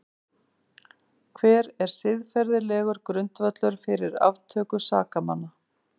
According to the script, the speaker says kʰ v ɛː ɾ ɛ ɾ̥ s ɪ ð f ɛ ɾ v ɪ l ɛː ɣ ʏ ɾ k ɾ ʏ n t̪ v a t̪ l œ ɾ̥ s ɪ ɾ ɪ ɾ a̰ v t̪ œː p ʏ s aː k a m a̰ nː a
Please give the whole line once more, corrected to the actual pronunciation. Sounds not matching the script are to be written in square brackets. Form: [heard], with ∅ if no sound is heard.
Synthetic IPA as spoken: kʰ v ɛː ɾ ɛ ɾ̥ s ɪ ð f ɛ ɾ [ð] ɪ l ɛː ɣ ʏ ɾ k ɾ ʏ n t̪ v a t̪ l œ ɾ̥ [f] ɪ ɾ ɪ ɾ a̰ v [t̪ʰ] œː [k] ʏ s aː k a m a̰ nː a